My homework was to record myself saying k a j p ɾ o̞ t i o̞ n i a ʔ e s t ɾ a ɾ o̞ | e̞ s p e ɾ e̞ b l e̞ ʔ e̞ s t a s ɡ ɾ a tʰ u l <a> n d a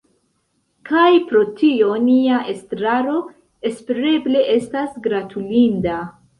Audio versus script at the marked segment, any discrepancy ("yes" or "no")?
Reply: yes